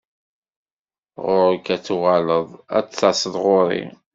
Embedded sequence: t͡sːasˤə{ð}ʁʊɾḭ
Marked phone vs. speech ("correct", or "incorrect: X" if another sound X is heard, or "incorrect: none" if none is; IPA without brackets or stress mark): correct